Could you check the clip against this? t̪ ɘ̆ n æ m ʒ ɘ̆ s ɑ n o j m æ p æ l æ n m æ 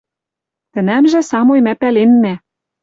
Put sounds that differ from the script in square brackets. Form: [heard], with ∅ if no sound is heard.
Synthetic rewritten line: t̪ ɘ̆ n æ m ʒ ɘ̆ s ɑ [m] o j m æ p æ l [e] n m æ